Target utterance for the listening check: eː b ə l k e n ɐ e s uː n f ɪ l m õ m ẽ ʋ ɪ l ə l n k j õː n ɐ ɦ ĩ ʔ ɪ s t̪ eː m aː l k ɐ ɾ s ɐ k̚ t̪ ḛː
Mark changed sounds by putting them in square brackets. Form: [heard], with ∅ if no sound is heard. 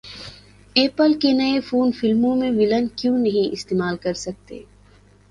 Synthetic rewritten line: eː [p] ə l k e n ɐ e [f] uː n f ɪ l m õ m ẽ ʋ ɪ l ə [∅] n k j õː n ɐ ɦ ĩ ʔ ɪ s t̪ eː m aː l k ɐ ɾ s ɐ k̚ t̪ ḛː